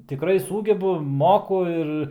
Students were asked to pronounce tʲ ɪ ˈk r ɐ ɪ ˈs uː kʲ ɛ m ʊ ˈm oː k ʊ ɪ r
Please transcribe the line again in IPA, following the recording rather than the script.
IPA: tʲ ɪ ˈk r ɐ ɪ ˈs uː ɡʲ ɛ b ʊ ˈm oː k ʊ ɪ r

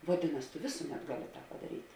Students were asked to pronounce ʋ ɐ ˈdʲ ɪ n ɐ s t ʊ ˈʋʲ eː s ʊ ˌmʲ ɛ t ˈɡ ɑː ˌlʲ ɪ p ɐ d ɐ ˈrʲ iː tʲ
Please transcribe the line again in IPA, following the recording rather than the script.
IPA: ʋ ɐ ˈdʲ ɪ n ɐ s t ʊ ˈʋʲ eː s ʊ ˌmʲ ɛ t ˈɡ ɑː ˌlʲ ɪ p ɐ d ɐ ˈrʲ iː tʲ

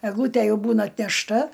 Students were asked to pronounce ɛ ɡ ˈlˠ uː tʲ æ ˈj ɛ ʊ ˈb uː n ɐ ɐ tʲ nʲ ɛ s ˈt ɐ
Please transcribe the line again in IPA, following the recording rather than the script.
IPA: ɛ ɡ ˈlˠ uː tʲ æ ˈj ɛ ʊ ˈb uː n ɐ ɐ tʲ nʲ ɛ ʃ ˈt ɐ

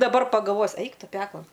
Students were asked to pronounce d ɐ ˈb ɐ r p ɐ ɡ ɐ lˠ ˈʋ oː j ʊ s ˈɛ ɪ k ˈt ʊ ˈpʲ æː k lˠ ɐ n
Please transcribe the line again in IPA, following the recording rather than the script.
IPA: d ɐ ˈb ɐ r p ɐ ɡ ɐ lˠ ˈʋ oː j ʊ s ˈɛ ɪ k ˈt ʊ ˈpʲ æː k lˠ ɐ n

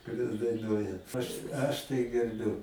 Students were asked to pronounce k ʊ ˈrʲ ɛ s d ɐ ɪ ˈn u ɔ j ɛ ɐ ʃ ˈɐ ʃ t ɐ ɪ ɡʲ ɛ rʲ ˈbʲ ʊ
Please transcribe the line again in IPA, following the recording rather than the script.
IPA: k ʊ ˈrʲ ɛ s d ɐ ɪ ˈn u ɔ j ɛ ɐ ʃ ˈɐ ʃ t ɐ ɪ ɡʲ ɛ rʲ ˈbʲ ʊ

